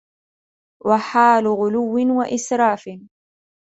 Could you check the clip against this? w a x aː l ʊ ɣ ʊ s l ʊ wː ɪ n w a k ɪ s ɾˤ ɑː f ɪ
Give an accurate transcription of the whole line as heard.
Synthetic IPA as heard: w a ħ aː l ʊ ɣ ʊ l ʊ wː ɪ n w a ʔ ɪ s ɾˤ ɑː f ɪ